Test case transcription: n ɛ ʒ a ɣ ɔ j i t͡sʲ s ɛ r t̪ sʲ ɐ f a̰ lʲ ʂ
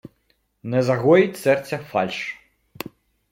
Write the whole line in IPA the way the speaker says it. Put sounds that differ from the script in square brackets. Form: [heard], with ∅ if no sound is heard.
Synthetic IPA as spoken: n ɛ [z] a ɣ ɔ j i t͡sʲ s ɛ r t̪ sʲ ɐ f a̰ lʲ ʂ